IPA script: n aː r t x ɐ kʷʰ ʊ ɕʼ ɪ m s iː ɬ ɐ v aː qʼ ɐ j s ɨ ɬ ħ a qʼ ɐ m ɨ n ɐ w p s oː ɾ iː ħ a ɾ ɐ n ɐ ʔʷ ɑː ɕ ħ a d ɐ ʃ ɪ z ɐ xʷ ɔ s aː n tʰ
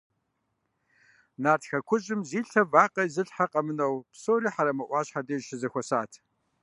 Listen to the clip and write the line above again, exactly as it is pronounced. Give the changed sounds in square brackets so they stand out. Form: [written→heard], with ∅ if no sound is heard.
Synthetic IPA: n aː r t x ɐ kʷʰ ʊ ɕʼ ɪ m [s→z] iː ɬ ɐ v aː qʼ ɐ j [s→z] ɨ ɬ ħ a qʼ ɐ m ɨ n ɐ w p s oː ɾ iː ħ a ɾ ɐ [n→m] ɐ ʔʷ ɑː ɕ ħ a d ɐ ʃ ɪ z ɐ xʷ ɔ s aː [n→∅] tʰ